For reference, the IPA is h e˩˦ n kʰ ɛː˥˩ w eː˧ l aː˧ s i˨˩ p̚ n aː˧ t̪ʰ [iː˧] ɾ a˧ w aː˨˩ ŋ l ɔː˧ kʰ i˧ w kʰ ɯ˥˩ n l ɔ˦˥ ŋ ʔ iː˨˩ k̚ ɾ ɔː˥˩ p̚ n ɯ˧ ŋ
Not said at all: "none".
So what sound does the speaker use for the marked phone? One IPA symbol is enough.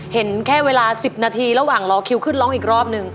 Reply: iː˧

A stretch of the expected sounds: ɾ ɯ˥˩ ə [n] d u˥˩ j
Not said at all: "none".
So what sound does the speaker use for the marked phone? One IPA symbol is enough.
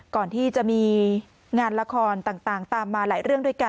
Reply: ŋ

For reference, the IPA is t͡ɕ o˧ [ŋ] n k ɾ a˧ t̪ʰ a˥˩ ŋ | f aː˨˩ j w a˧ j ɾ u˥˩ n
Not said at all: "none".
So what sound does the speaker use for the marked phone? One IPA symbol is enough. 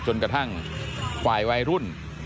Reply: none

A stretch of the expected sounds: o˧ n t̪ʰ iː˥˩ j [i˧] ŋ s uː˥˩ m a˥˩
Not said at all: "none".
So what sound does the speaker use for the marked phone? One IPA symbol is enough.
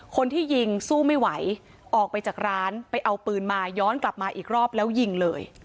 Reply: i˧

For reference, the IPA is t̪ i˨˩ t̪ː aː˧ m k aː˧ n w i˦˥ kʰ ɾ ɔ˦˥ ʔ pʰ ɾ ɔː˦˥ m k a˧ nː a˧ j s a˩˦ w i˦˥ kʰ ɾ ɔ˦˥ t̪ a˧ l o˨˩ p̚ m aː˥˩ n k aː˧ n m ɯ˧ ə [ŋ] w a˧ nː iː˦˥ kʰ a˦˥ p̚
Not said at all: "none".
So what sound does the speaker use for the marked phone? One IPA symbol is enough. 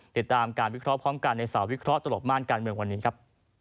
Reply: ŋ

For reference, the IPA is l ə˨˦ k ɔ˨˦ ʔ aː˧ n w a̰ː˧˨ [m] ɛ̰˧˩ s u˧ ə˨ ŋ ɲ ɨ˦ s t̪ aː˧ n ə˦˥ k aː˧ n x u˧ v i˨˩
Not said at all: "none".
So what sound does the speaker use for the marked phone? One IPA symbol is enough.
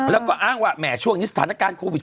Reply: m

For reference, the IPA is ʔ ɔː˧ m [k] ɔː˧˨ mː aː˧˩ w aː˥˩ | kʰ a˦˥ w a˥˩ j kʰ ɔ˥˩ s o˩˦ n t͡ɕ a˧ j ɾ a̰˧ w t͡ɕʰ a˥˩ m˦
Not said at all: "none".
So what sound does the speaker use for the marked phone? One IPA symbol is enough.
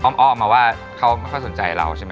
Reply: ʔ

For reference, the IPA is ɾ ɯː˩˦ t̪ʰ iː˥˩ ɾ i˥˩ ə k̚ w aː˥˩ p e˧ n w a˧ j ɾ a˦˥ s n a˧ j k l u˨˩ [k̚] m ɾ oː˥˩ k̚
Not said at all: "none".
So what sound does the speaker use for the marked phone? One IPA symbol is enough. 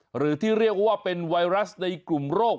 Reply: none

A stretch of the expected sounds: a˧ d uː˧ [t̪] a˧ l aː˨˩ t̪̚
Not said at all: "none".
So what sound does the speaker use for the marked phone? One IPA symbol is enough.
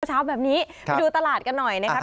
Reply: t̪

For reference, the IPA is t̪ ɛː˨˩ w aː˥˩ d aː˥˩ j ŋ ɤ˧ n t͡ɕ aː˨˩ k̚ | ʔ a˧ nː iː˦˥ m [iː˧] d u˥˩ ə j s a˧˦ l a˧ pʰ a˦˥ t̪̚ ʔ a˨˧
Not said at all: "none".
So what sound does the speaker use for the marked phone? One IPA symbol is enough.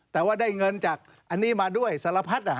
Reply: aː˧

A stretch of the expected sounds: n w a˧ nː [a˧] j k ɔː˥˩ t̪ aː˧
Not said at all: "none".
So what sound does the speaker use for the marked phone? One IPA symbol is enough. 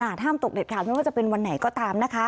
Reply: a˩˦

